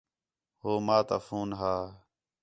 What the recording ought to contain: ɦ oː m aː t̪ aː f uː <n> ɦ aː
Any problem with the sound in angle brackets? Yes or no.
no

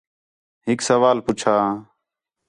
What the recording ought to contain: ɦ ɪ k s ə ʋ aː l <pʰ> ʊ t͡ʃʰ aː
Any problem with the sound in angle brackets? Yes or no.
yes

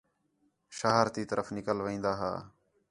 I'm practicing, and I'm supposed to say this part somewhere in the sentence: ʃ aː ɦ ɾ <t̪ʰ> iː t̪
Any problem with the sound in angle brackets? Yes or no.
yes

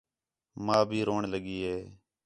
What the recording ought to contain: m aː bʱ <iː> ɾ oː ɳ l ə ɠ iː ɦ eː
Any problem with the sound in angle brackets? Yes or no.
no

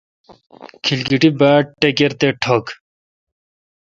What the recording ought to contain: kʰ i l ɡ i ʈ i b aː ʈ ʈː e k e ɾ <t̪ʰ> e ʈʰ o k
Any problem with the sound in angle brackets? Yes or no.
yes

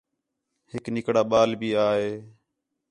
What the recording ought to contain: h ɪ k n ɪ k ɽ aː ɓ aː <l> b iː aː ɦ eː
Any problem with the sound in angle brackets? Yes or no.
no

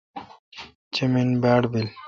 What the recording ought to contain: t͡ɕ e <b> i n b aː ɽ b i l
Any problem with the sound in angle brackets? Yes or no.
yes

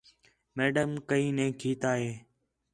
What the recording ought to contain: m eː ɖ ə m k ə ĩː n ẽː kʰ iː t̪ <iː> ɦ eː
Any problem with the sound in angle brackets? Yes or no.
yes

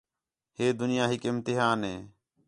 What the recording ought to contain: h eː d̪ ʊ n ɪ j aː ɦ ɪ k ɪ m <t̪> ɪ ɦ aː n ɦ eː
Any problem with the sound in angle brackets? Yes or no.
no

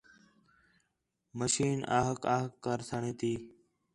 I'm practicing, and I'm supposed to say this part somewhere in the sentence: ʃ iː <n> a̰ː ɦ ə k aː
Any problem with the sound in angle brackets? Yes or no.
no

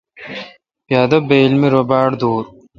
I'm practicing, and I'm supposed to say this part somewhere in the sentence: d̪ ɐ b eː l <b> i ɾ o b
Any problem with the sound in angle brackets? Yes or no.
yes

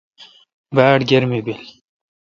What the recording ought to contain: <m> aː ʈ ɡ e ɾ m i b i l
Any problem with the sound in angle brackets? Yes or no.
yes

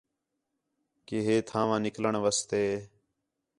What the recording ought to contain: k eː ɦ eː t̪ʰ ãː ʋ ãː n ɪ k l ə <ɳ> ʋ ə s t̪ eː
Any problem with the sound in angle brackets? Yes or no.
no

